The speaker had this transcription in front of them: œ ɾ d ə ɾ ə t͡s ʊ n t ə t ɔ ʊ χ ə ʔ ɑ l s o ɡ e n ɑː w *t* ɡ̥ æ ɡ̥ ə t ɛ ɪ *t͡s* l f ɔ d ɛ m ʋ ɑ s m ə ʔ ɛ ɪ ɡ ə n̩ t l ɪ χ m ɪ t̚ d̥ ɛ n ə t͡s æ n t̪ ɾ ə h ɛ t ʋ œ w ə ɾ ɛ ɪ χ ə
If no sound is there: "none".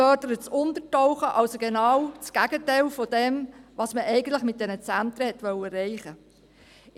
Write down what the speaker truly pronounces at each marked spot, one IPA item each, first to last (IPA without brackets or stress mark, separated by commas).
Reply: t͡s, none